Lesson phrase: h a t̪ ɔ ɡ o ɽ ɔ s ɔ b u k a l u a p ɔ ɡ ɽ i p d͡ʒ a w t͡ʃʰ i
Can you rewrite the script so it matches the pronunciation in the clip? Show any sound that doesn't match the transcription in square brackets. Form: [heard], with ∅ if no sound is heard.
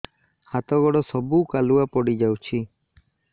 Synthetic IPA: h a t̪ ɔ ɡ [ɔ] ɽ ɔ s ɔ b u k a l u a p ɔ [∅] ɽ i [∅] d͡ʒ a w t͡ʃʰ i